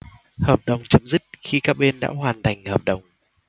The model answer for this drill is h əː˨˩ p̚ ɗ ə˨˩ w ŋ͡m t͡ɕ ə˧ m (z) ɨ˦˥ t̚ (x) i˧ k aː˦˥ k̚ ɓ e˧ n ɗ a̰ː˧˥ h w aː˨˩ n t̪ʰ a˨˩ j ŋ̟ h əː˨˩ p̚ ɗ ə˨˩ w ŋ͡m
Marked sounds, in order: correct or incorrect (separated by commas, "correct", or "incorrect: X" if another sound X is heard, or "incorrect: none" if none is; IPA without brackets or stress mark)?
correct, correct